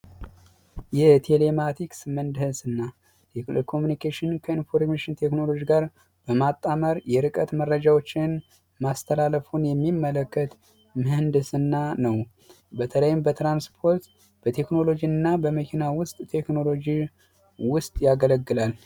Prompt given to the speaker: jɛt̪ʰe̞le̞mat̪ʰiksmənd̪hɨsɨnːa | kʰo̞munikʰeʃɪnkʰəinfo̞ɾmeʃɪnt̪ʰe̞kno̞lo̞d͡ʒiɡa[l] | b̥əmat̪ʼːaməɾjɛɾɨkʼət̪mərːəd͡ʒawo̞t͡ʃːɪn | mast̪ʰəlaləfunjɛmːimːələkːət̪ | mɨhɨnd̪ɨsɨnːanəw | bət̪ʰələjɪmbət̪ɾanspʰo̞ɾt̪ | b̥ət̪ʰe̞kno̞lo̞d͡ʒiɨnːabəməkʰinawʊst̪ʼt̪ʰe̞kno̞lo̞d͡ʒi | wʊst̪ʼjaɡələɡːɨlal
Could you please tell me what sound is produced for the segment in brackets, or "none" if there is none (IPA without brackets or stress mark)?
ɾ